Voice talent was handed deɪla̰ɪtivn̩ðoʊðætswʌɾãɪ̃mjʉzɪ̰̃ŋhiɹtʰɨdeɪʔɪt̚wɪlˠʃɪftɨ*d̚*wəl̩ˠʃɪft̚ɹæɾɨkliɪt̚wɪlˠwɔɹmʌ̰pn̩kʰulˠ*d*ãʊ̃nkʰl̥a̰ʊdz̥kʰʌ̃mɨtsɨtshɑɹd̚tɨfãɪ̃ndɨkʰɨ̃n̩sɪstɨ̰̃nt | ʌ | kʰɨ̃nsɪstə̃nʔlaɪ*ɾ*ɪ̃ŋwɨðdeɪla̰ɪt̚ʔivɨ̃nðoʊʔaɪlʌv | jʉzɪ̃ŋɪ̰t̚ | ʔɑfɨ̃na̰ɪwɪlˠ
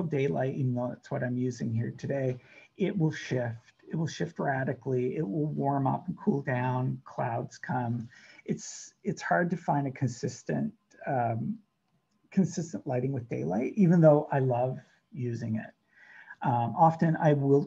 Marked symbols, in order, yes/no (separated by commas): no, yes, yes